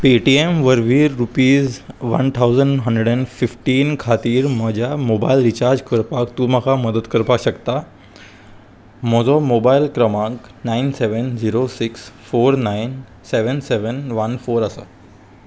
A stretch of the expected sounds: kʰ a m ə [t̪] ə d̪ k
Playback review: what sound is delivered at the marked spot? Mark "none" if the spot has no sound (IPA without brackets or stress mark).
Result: d̪